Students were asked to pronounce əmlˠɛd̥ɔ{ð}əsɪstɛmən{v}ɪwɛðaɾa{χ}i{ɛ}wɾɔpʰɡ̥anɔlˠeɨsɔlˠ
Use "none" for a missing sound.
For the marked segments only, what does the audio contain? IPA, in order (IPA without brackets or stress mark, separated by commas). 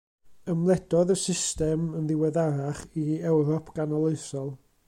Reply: ð, ð, χ, ɛ